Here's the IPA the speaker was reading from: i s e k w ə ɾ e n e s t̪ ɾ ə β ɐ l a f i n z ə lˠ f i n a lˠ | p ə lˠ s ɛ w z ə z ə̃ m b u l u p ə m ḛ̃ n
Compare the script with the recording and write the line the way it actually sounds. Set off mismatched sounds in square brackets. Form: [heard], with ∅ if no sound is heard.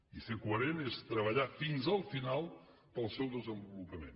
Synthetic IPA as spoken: i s e k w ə ɾ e n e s t̪ ɾ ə β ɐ [ʎ] a f i n z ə lˠ f i n a lˠ | p ə lˠ s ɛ w [ð] ə z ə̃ m b u l u p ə m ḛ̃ n